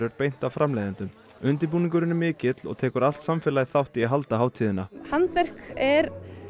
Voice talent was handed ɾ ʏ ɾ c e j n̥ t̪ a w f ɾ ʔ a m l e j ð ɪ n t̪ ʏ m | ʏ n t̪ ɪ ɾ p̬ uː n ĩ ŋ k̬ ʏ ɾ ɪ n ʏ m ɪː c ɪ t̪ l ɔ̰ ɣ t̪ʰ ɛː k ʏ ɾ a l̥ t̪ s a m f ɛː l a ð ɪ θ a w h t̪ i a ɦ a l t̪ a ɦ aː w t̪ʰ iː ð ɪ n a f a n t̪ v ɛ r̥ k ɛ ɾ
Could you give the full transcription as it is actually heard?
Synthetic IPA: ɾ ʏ ɾ p e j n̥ t̪ a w f ɾ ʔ a m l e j ð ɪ n t̪ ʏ m | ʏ n t̪ ɪ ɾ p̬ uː n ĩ ŋ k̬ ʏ ɾ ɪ n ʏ m ɪː c ɪ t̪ l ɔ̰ ɣ t̪ʰ ɛː k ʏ ɾ a l̥ t̪ s a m f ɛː l a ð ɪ θ a w h t̪ i a ɦ a l t̪ a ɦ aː w t̪ʰ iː ð ɪ n a h a n t̪ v ɛ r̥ k ɛ ɾ